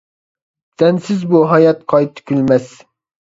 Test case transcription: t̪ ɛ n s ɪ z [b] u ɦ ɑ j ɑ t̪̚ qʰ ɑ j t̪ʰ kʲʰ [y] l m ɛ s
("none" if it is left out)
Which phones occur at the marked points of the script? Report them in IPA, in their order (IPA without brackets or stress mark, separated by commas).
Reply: b, y